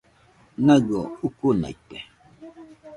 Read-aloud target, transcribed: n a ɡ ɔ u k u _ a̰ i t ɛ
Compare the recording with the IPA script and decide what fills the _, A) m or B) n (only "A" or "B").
B